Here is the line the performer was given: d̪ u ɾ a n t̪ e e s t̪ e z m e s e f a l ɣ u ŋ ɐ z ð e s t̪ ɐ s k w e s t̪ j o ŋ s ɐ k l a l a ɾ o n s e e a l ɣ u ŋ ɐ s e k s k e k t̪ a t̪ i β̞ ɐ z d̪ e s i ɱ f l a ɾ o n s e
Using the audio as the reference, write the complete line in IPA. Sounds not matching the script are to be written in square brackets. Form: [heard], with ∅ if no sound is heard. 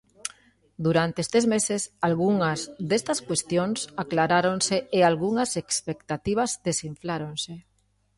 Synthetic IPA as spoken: d̪ u ɾ a n t̪ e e s t̪ e z m e s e [s] a l ɣ u ŋ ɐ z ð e s t̪ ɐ s k w e s t̪ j o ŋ s [a] k l a [ɾ] a ɾ o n s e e a l ɣ u ŋ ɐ s e k s [p] e k t̪ a t̪ i β̞ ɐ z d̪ e s i ɱ f l a ɾ o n s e